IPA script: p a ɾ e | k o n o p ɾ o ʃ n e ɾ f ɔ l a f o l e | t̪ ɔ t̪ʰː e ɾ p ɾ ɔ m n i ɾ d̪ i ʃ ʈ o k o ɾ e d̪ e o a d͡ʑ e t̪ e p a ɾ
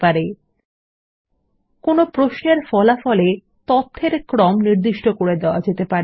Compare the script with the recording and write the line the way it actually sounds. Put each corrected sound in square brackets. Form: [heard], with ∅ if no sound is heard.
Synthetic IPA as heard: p a ɾ e | k o n o p ɾ o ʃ n e ɾ f ɔ l a f [ɔ] l e | t̪ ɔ t̪ʰː e ɾ [k] ɾ ɔ m n i ɾ d̪ i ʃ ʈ o k o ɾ e d̪ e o a d͡ʑ e t̪ e p a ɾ

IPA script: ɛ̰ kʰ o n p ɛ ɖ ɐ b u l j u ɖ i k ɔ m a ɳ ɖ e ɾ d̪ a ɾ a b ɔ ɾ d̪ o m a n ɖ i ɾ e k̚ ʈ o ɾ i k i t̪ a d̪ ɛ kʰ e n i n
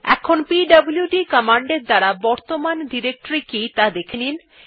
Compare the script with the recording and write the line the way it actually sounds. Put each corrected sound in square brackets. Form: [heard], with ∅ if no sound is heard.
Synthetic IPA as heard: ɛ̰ kʰ o n p [i] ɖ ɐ b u l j u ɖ i k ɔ m a ɳ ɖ e ɾ d̪ a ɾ a b ɔ ɾ [t̪] o m a n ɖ i ɾ e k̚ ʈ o ɾ i k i t̪ a d̪ [e] kʰ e n i n

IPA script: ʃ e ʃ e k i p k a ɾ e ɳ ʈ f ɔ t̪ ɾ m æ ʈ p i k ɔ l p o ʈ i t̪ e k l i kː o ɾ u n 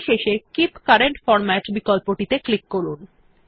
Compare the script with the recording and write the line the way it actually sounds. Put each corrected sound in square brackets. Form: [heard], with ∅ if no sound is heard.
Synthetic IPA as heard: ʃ e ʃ e k i p k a ɾ e ɳ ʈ f ɔ [∅] ɾ m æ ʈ [b] i k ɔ l p o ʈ i t̪ e k l i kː o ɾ u n

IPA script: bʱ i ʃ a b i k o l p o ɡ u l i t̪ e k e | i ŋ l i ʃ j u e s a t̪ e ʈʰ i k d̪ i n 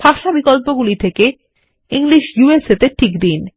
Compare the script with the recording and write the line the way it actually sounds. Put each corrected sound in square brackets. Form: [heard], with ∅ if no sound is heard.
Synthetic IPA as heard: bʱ [a] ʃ a b i k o l p o ɡ u l i [t̪ʰ] e k e | i ŋ l i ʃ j u e s [e] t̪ e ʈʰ i k d̪ i n

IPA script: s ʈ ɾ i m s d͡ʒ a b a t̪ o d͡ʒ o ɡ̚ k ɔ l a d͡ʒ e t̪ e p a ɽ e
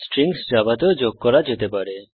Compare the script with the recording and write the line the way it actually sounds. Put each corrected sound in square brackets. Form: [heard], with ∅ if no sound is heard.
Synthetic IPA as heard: s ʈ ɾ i [ŋ] s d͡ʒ a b a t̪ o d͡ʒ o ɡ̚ k ɔ [ɾ] a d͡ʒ e t̪ e p a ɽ e

